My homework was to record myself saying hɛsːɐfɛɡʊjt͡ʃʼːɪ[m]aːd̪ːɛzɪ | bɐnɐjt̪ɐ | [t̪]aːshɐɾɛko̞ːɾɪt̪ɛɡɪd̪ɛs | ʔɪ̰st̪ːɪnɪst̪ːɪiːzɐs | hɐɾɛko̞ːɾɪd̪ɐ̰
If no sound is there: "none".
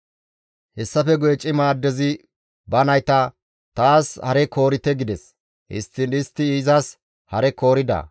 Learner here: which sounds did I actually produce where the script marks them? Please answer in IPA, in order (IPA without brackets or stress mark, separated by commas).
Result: m, t̪